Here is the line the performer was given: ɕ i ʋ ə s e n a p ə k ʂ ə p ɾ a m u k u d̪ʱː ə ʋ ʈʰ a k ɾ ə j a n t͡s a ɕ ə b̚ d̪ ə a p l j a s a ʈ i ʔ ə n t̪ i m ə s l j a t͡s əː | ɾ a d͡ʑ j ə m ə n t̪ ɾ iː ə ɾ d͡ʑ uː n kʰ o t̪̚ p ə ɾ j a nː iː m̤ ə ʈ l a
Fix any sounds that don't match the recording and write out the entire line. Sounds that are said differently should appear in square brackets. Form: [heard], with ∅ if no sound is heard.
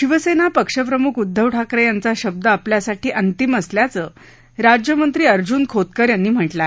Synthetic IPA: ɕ i ʋ ə s e n a p ə k ʂ ə p ɾ [ə] m u k u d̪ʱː ə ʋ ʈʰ a k ɾ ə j a n t͡s a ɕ ə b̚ d̪ ə a p l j a s a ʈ [iː] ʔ ə n t̪ i m ə s l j a t͡s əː | ɾ a d͡ʑ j ə m ə n t̪ ɾ iː ə ɾ d͡ʑ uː n kʰ o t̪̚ [k] ə ɾ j a nː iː m̤ ə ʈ l a